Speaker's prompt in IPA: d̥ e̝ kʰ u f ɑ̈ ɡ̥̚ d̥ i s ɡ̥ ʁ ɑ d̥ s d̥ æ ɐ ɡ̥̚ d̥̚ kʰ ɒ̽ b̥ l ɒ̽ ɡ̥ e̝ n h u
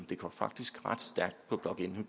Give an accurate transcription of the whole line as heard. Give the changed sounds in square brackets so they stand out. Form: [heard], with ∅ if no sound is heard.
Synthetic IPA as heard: d̥ e̝ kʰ [ɒ] f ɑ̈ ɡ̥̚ d̥ i s ɡ̥ ʁ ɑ d̥ s d̥ æ ɐ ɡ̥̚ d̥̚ [pʰ] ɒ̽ b̥ l ɒ̽ ɡ̥ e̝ n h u